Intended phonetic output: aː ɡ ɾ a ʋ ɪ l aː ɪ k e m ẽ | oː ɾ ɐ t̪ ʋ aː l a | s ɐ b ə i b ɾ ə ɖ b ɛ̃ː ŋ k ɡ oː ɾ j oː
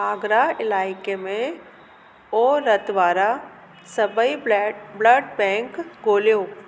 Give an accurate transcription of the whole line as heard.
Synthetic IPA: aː ɡ ɾ a ɪ l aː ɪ k e m ẽ | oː ɾ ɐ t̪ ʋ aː ɾ a | s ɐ b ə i b l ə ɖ b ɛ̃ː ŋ k ɡ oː l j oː